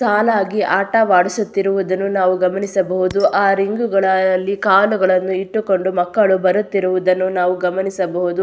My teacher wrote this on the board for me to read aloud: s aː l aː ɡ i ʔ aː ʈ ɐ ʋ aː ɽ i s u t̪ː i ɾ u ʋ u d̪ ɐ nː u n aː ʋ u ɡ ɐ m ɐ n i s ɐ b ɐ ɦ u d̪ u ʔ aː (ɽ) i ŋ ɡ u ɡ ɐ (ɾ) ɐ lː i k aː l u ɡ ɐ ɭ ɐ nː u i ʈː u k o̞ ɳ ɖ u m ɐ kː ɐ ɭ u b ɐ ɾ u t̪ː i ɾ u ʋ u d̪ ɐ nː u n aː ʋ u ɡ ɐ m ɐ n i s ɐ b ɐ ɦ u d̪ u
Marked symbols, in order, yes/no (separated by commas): no, no